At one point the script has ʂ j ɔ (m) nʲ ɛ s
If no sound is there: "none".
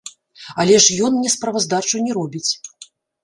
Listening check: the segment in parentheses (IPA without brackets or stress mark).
n